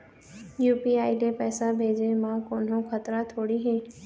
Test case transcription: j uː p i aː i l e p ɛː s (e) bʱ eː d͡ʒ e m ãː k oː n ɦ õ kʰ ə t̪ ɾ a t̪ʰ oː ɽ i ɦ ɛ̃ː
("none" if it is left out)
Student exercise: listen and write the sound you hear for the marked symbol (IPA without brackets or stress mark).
a